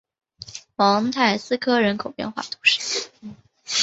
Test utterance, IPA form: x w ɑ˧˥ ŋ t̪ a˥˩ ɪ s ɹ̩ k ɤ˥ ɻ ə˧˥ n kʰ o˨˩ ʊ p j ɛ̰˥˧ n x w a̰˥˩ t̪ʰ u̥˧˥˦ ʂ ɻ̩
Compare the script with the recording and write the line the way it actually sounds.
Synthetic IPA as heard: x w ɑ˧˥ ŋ t̪ʰ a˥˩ ɪ s ɹ̩ kʰ ɤ˥ ɻ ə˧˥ n kʰ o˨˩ ʊ p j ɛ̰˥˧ n x w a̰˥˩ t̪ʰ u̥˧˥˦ ʂ ɻ̩